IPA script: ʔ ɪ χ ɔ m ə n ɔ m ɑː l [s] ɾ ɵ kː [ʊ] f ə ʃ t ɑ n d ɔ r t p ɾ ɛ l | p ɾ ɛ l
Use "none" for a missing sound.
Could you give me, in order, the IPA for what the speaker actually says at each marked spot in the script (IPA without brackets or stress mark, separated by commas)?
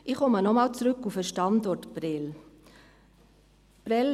t͡s, u